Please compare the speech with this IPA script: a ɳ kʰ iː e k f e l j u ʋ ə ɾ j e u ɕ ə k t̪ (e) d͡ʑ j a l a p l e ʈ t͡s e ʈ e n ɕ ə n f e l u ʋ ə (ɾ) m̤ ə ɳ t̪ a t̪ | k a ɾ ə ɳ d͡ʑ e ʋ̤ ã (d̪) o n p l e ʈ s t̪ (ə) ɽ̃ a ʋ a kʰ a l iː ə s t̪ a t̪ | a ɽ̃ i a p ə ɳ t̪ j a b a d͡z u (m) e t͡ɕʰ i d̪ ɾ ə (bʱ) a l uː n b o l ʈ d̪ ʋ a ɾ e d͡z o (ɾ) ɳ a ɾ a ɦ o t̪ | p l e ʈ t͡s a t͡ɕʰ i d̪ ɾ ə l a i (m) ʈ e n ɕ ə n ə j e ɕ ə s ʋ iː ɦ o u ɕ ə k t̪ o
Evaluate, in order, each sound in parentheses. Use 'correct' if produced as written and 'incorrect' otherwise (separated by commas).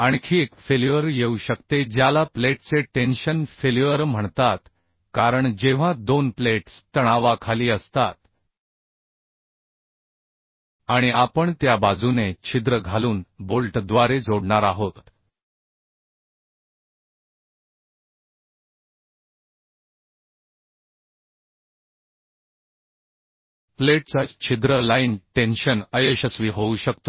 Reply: correct, correct, correct, correct, incorrect, incorrect, incorrect, incorrect